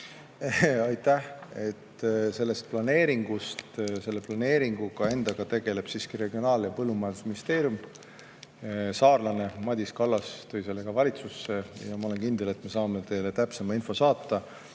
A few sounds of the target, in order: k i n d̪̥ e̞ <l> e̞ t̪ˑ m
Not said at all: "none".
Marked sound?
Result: l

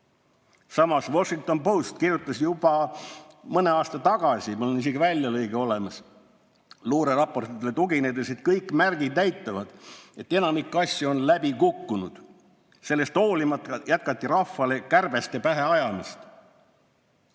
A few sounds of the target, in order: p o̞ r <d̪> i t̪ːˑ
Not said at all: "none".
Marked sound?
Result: t̪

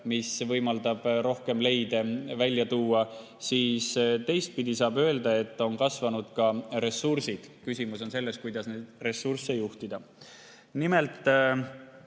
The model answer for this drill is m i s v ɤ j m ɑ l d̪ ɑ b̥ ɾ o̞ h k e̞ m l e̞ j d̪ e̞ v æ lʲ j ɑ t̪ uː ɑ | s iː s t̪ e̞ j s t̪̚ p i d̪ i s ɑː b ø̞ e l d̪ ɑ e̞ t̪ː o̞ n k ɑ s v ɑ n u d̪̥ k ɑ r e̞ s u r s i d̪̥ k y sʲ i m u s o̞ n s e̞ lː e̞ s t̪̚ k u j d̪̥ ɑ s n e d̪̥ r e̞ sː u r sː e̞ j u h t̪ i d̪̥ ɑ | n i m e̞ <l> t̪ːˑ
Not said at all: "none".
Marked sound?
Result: l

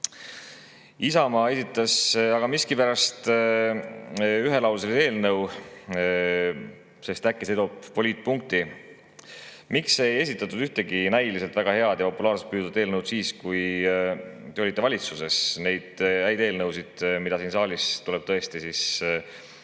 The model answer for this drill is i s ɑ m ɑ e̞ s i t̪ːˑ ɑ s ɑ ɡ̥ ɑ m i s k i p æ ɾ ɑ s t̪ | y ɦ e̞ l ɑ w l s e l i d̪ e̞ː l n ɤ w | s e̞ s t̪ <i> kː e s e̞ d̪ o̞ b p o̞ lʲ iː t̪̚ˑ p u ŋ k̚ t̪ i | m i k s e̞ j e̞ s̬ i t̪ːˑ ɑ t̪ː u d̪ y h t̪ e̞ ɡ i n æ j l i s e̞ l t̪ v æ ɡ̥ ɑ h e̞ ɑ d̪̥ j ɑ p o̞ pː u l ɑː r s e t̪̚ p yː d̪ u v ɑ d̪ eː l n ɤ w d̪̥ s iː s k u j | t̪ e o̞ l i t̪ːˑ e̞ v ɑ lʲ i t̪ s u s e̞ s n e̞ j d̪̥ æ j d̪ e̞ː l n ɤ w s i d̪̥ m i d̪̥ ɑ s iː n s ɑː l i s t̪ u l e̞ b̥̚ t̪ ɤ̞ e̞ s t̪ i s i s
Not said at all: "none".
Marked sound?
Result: æ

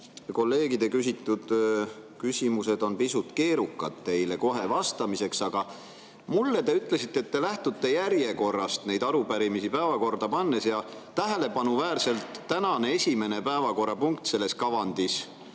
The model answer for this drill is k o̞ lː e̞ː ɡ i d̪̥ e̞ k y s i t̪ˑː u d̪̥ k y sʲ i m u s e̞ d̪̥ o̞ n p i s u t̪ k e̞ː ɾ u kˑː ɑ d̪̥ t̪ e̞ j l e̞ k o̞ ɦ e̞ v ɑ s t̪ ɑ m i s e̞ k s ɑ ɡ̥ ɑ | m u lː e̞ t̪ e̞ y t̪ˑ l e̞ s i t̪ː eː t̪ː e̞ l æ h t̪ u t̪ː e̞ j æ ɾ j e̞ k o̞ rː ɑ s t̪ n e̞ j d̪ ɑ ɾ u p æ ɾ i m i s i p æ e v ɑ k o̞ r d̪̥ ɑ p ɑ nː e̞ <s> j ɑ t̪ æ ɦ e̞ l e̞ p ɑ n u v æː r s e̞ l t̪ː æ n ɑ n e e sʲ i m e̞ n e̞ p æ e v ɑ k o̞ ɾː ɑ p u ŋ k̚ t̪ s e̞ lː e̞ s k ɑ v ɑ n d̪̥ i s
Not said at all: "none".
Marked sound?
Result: s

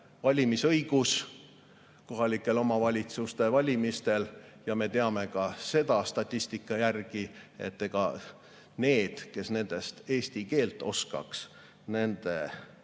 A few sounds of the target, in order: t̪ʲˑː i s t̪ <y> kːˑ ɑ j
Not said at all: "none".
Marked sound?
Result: i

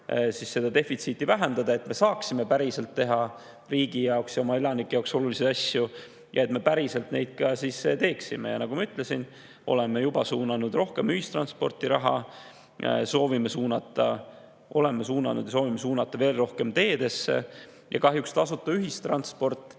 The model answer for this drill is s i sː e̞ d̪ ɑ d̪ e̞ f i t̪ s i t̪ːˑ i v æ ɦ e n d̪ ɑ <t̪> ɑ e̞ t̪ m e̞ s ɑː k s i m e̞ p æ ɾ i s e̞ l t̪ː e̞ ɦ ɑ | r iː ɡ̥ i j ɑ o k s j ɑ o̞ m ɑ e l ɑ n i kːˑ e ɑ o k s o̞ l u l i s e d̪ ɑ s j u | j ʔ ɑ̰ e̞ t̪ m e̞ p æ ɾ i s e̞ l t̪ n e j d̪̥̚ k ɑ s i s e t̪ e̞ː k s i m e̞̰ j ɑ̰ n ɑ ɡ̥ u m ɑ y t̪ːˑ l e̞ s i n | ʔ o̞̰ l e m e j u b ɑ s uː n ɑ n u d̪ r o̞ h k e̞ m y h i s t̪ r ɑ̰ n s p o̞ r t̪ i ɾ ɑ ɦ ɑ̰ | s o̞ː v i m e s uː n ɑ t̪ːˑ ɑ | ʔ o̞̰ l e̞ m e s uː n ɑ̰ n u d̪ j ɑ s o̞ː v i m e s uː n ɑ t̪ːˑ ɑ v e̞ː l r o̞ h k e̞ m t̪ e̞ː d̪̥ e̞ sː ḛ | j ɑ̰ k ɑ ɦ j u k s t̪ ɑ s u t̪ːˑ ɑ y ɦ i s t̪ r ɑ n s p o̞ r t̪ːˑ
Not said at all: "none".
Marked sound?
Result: d̪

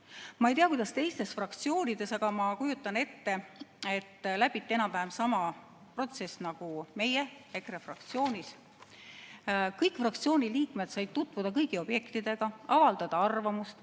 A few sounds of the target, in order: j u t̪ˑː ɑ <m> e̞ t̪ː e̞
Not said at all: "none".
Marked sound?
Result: n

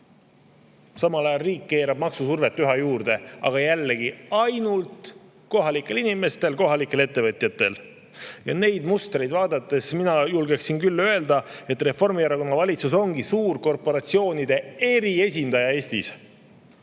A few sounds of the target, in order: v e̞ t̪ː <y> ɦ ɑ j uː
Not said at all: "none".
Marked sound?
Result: y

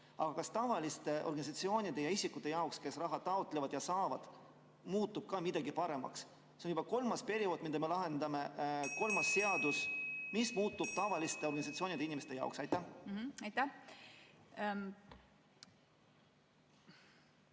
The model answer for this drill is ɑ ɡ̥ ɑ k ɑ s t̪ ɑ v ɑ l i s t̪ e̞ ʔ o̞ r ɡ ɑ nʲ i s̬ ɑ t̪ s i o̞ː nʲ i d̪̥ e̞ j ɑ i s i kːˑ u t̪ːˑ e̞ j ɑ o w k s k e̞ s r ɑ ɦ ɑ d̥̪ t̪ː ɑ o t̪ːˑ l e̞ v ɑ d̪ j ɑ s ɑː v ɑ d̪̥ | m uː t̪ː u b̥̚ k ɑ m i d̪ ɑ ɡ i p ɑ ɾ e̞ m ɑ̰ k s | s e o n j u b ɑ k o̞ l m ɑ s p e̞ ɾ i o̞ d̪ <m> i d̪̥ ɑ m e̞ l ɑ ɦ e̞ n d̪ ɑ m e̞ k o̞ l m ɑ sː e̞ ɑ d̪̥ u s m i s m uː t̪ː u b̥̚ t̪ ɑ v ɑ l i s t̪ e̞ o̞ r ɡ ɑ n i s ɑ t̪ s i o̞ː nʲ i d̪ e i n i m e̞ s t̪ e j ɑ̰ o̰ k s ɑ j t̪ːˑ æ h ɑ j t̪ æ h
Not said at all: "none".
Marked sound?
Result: m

